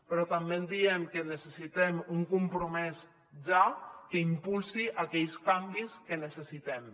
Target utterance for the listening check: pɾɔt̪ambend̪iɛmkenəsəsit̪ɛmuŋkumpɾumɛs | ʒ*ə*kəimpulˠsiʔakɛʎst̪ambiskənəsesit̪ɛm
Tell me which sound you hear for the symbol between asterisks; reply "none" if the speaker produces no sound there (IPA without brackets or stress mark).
a